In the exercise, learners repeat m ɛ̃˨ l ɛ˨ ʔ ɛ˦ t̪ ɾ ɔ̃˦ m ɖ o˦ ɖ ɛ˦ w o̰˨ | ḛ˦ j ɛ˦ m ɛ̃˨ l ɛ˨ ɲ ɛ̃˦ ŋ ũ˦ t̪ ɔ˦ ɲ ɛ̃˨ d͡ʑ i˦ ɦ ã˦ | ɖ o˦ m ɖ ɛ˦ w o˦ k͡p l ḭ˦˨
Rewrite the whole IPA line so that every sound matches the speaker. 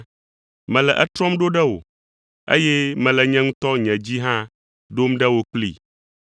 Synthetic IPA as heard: m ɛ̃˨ l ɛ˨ ʔ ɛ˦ t̪ ɾ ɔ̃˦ m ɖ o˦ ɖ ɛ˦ w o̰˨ | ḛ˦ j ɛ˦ m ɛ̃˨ l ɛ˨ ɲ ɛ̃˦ ŋ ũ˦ t̪ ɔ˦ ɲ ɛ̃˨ d͡ʑ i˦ ɦ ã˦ | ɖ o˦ m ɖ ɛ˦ w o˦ k͡p l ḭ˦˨